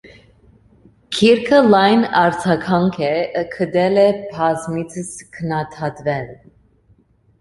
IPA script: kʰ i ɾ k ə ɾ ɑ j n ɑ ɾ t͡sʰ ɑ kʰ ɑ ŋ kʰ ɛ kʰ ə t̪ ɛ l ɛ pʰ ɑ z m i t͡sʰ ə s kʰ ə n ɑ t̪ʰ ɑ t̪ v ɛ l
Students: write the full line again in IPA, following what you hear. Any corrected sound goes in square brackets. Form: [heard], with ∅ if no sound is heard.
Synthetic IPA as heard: kʰ i ɾ [kʰ] ə [l] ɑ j n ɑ ɾ t͡sʰ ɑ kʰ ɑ ŋ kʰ ɛ kʰ ə [d̪] ɛ l ɛ pʰ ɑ z m i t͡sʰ ə s kʰ ə n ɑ t̪ʰ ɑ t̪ v ɛ l